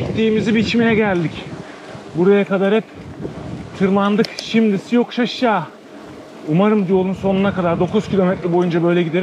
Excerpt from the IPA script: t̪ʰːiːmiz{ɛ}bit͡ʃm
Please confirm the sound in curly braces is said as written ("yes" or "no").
no